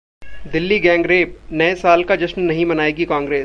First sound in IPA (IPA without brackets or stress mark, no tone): d̪